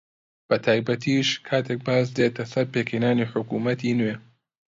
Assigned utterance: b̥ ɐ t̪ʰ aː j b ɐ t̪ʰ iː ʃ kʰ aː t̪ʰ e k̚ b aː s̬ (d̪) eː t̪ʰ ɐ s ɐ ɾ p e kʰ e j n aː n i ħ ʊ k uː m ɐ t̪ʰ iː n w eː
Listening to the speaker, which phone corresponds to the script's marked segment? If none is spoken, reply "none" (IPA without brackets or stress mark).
d̪